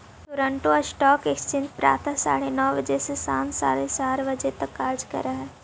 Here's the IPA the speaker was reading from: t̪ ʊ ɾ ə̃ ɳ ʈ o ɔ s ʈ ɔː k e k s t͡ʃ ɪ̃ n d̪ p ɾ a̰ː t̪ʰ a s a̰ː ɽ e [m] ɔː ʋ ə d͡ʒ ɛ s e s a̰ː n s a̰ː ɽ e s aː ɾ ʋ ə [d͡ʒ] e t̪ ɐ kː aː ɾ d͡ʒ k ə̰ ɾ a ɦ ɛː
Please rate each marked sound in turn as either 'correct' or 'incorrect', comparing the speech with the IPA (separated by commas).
incorrect, correct